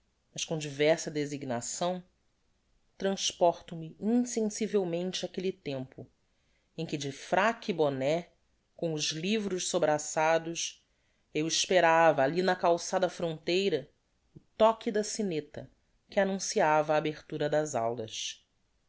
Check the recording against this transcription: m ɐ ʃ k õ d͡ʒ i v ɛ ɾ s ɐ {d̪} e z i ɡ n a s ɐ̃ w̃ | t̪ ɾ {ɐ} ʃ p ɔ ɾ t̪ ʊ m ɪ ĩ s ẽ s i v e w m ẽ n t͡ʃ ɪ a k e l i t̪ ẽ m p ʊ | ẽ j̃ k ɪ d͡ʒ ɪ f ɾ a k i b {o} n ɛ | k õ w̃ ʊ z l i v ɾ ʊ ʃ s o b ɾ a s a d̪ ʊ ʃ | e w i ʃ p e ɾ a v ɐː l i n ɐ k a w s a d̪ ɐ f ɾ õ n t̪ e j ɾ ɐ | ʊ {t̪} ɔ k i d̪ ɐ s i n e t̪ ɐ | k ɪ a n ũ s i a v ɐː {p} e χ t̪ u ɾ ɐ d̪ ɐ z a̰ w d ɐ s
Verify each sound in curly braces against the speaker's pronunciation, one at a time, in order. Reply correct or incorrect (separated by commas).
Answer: correct, incorrect, correct, correct, incorrect